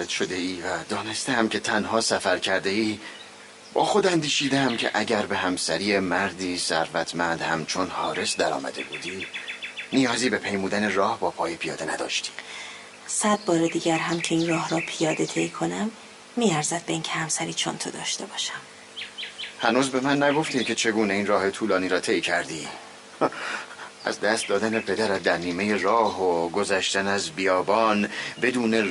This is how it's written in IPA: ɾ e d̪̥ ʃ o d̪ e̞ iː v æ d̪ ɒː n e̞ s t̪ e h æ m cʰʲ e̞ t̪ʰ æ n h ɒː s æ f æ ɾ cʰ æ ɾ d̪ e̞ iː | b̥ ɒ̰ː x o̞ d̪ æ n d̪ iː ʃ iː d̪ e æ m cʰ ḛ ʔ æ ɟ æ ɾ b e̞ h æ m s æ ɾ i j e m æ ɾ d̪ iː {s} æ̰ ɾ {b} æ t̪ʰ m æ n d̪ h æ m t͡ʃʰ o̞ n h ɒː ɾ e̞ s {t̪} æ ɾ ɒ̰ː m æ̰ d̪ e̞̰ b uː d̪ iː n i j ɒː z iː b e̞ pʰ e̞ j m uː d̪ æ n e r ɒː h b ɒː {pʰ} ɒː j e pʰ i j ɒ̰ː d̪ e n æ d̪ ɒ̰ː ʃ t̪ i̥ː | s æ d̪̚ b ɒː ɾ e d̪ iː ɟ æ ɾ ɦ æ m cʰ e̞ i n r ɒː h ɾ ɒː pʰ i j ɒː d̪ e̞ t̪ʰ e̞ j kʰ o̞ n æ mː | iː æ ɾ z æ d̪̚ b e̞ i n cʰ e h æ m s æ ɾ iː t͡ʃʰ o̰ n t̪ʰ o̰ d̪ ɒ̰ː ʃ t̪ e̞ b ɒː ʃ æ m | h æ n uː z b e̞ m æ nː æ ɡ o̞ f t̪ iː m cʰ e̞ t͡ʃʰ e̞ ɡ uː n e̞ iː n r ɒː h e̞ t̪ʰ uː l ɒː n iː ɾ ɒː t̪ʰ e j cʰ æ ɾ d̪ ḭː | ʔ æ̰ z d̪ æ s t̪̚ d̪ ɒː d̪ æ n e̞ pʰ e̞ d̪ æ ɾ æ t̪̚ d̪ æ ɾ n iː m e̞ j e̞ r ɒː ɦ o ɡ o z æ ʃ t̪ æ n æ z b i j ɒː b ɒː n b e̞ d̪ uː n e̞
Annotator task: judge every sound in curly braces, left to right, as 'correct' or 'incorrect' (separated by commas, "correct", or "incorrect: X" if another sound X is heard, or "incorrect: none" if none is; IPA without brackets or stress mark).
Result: correct, incorrect: v, incorrect: d̪, correct